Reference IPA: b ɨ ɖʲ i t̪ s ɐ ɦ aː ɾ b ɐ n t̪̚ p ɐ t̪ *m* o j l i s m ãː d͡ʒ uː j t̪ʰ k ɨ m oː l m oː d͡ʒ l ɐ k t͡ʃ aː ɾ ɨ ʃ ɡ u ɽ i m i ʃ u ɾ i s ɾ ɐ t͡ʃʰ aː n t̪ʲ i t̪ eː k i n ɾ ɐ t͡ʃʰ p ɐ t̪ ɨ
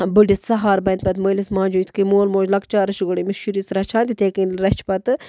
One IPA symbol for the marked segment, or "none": m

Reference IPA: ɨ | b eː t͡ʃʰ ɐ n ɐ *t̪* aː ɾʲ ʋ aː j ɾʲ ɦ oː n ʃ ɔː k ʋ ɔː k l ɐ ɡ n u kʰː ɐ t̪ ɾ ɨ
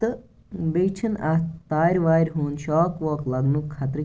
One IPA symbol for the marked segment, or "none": t̪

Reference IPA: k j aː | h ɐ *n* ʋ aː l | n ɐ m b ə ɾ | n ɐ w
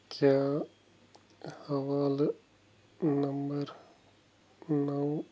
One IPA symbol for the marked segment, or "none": none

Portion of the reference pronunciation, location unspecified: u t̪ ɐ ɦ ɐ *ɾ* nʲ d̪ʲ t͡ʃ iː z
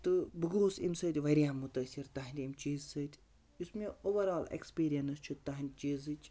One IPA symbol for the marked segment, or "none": none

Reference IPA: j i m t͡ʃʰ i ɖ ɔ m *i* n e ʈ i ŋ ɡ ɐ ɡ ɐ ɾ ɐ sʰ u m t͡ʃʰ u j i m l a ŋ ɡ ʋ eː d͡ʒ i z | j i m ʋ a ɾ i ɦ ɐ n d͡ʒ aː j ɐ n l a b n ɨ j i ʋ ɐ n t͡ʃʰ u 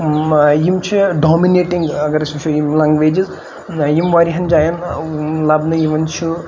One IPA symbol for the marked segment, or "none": i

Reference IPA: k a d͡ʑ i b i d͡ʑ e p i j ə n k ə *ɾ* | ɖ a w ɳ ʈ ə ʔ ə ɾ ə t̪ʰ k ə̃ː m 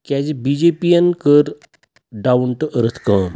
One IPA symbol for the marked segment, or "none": ɾ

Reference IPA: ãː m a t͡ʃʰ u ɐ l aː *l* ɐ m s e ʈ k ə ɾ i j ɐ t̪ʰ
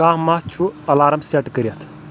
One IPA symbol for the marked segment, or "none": ɾ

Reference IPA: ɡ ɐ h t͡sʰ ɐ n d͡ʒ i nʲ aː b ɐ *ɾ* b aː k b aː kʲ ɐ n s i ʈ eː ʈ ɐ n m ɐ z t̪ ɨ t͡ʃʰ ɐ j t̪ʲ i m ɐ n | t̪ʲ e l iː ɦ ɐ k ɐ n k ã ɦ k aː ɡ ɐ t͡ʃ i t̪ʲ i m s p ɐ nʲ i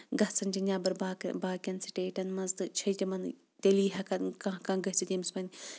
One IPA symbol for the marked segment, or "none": ɾ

